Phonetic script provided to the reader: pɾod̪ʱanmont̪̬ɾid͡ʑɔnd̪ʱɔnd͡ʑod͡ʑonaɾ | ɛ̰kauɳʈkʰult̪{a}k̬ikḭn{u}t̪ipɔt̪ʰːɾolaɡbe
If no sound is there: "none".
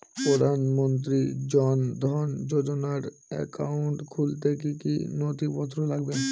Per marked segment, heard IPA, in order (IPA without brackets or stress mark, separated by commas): e, o